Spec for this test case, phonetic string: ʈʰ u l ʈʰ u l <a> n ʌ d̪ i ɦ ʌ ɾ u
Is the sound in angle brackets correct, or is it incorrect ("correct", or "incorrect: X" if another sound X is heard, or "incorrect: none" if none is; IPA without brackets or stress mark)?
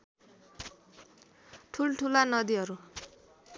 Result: correct